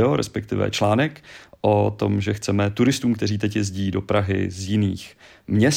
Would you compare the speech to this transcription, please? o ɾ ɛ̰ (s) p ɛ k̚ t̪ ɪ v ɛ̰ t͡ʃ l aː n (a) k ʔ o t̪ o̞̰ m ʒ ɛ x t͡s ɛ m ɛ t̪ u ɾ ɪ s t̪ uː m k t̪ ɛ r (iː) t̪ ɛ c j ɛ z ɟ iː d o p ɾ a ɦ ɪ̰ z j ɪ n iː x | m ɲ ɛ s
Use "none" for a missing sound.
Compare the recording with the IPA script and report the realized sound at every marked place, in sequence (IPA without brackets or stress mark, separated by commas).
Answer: s, ɛ, iː